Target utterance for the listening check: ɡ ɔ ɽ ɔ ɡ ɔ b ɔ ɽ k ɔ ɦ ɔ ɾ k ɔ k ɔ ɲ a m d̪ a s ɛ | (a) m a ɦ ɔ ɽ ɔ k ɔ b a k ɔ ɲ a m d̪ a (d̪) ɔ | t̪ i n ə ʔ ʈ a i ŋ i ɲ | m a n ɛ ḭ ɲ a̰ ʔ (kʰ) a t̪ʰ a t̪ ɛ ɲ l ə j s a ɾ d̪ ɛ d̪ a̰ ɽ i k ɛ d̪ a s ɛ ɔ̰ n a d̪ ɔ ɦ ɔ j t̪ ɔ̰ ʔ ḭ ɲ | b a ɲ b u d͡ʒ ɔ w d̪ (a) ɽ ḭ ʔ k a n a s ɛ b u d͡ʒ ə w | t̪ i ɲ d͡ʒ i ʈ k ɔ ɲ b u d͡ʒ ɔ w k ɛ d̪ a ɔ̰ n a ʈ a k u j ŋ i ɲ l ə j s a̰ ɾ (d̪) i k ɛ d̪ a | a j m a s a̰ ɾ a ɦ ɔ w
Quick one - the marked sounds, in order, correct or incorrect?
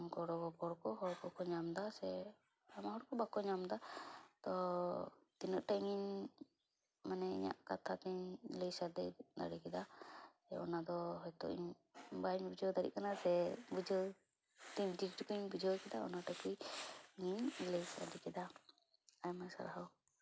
correct, incorrect, incorrect, correct, correct

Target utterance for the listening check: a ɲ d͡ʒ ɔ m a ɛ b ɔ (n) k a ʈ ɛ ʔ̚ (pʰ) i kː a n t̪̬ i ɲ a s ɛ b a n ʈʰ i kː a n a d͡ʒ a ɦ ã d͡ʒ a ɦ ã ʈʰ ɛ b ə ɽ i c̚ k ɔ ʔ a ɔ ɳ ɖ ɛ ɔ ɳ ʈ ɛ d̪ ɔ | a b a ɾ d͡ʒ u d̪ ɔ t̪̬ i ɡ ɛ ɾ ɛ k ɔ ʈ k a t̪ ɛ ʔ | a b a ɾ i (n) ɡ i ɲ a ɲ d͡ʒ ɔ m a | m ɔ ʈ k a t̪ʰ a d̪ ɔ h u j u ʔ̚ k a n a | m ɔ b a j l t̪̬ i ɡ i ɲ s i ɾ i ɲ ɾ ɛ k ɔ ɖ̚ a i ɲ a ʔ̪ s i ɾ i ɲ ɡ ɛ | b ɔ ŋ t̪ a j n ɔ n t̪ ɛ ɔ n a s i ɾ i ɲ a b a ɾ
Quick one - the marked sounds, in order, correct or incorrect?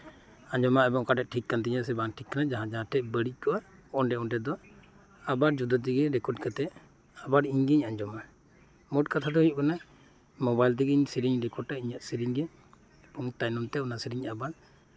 incorrect, incorrect, incorrect

